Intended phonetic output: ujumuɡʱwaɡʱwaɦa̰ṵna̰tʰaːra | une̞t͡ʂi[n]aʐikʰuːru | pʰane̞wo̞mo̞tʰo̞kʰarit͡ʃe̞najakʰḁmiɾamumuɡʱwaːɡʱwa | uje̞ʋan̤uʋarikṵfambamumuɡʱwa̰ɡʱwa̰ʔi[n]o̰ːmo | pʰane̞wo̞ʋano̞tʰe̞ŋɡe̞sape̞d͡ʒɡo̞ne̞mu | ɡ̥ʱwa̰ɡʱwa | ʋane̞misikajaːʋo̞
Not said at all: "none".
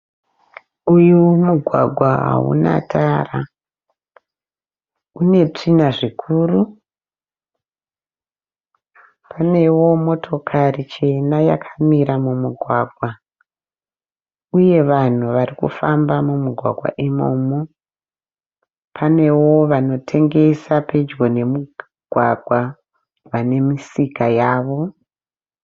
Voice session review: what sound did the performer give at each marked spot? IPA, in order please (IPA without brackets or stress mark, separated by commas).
n, m